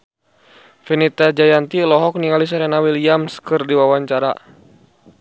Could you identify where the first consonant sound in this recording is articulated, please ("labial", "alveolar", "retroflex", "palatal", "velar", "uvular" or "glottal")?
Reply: labial